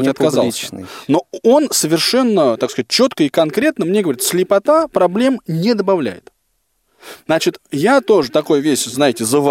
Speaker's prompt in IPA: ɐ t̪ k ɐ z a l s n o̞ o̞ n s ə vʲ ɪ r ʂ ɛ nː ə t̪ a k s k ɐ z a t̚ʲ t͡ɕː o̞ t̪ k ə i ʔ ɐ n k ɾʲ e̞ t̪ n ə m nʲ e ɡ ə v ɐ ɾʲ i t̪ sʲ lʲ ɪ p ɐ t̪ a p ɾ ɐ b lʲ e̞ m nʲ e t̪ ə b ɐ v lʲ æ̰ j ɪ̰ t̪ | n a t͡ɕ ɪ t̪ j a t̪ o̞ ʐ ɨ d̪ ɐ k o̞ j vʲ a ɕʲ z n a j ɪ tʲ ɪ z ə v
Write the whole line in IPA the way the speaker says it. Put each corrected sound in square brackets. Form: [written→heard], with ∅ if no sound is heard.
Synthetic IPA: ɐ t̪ k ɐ z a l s n o̞ o̞ n s ə vʲ ɪ r ʂ ɛ nː ə t̪ a k s k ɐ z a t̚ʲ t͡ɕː o̞ t̪ k ə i [ʔ→k] ɐ n k ɾʲ e̞ t̪ n ə m nʲ e ɡ ə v ɐ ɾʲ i t̪ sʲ lʲ ɪ p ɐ t̪ a p ɾ ɐ b lʲ e̞ m nʲ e [t̪→d̪] ə b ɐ v lʲ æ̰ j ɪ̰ t̪ | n a t͡ɕ ɪ t̪ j a t̪ o̞ ʐ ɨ [d̪→t̪] ɐ k o̞ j vʲ [a→e] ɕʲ z n a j ɪ tʲ ɪ z ə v